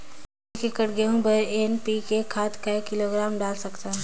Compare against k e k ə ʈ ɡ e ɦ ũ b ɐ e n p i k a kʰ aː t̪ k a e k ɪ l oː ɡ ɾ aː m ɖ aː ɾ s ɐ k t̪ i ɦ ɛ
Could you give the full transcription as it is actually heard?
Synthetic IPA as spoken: k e k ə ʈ ɡ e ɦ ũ b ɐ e n p i k e kʰ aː t̪ k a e k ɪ l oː ɡ ɾ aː m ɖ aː l s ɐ k t̪ a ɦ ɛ